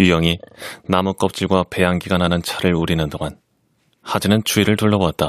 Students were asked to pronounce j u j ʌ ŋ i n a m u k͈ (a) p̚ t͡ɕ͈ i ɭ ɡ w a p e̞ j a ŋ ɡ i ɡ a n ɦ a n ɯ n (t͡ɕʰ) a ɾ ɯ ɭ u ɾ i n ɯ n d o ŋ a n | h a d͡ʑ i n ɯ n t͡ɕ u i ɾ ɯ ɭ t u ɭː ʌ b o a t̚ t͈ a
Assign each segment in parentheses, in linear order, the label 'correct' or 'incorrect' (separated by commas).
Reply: incorrect, correct